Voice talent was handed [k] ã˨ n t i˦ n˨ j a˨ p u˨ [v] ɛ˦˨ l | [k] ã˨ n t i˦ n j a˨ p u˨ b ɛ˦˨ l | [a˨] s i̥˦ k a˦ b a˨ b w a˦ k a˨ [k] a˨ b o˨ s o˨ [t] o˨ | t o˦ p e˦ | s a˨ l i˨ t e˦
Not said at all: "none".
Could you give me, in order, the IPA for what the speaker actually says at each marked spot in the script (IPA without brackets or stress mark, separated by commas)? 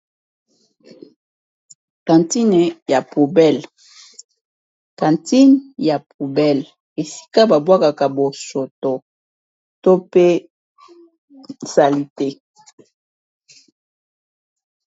k, b, k, e˨, k, t